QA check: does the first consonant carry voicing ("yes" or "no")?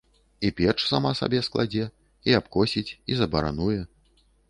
no